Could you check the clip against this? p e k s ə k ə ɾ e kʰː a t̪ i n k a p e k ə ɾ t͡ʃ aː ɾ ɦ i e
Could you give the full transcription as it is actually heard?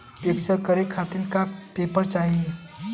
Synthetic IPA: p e k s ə k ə ɾ e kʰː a t̪ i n k a p e p ə ɾ t͡ʃ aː ɦ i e